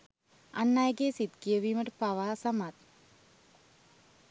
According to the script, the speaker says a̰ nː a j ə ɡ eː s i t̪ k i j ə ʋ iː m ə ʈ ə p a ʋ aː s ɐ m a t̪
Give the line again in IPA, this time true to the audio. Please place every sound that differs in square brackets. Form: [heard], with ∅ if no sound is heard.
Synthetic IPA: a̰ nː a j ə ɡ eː s i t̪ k i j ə ʋ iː m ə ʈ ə p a ʋ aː s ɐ m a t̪